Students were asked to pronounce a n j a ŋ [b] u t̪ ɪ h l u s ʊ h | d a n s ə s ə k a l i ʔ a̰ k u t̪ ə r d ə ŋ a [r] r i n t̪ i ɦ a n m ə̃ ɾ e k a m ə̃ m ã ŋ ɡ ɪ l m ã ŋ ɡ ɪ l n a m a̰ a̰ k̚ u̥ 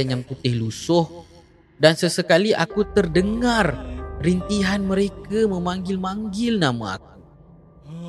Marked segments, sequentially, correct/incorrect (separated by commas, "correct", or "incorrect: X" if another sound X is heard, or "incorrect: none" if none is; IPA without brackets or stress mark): incorrect: p, correct